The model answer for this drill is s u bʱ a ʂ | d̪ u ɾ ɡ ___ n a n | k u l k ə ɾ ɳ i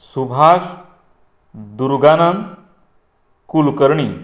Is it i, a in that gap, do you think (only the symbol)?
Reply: a